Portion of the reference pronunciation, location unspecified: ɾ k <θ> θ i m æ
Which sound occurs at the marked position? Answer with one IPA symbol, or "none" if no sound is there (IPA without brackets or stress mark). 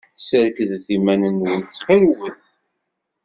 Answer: ð